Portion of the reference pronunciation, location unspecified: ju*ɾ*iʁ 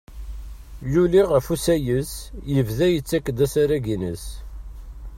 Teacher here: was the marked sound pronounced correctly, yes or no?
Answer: no